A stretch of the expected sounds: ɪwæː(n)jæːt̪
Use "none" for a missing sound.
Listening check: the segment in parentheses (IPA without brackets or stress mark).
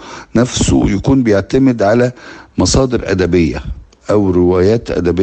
none